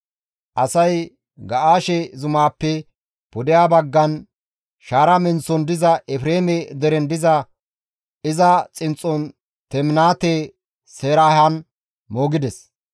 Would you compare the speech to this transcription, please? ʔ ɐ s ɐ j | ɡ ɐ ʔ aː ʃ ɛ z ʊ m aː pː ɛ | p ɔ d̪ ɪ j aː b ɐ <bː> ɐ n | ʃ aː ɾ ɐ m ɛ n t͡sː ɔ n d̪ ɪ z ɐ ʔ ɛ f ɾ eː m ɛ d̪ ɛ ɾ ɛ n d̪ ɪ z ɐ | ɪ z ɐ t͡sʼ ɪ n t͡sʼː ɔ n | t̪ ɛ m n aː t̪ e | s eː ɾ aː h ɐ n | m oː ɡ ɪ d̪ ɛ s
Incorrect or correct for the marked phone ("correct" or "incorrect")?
incorrect